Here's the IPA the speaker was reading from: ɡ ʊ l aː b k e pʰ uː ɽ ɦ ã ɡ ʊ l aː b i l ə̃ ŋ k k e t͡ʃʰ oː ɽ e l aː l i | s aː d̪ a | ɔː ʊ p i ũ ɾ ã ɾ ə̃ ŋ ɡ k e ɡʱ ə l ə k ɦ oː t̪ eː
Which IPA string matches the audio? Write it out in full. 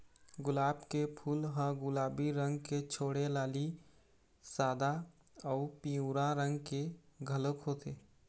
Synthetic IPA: ɡ ʊ l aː b k e pʰ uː l ɦ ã ɡ ʊ l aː b i ɾ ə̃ ŋ ɡ k e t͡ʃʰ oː ɽ e l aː l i | s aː d̪ a | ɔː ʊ p i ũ ɾ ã ɾ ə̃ ŋ ɡ k e ɡʱ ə l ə k ɦ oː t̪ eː